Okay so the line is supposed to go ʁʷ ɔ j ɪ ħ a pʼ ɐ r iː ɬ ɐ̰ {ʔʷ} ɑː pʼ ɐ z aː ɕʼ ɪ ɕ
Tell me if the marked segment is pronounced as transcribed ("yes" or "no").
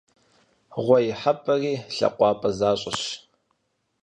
no